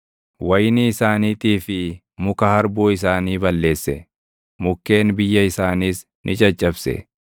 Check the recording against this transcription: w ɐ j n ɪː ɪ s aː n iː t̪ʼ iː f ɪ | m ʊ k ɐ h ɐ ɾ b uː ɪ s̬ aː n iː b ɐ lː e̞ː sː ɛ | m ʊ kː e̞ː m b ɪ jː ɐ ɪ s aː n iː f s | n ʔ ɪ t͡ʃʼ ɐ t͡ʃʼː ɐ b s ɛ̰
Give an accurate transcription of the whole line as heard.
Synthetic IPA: w ɐ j n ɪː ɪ s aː n iː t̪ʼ iː f ɪ | m ʊ k ɐ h ɐ ɾ b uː ɪ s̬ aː n iː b ɐ lː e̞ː sː ɛ | m ʊ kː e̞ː n b ɪ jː ɐ ɪ s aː n iː s | n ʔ ɪ t͡ʃʼ ɐ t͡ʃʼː ɐ b s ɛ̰